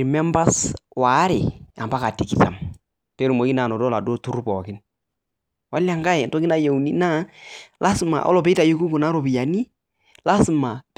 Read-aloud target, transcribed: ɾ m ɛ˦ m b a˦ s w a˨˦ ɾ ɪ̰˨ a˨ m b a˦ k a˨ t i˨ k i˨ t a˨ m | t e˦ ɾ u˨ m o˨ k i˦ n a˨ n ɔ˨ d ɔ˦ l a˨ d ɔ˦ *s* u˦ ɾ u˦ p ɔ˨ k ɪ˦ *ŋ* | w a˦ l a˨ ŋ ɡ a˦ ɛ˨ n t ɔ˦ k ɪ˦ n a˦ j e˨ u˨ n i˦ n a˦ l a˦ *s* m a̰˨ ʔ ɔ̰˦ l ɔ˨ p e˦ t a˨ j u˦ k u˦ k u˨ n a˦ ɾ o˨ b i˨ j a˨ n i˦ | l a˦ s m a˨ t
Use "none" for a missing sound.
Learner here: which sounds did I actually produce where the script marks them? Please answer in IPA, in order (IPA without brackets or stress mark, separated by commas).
t, n, s